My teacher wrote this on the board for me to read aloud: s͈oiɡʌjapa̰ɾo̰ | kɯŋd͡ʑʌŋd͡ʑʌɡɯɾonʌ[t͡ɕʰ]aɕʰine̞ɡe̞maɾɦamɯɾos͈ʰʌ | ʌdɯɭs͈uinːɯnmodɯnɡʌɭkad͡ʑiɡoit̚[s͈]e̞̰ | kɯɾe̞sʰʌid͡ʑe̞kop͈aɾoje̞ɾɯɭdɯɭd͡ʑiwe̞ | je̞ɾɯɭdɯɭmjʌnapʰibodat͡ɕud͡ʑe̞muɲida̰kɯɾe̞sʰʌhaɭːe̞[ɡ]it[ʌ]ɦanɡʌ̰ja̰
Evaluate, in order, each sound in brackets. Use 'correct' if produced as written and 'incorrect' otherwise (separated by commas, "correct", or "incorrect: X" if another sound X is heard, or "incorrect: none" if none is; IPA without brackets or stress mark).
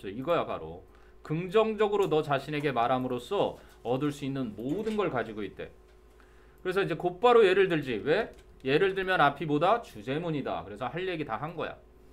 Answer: incorrect: t͡ɕ, incorrect: t͈, correct, incorrect: a